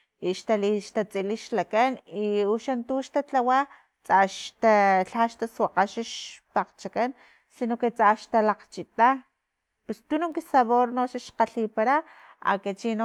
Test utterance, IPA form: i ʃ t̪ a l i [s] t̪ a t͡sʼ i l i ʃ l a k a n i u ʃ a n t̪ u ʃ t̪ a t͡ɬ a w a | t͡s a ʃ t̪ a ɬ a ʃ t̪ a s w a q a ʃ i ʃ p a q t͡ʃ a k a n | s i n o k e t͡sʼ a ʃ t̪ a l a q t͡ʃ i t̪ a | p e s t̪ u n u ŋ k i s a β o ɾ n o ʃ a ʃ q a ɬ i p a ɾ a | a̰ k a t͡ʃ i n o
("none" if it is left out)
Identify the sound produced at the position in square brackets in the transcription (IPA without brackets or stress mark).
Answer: ʃ